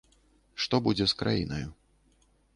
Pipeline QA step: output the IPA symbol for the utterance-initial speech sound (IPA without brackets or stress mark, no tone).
ʂ